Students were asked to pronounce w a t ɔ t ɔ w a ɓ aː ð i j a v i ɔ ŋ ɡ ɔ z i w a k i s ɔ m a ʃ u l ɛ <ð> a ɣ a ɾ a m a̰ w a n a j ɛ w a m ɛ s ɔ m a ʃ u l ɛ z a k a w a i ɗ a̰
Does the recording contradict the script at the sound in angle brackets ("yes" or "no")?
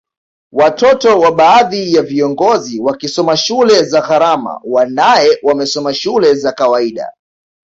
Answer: yes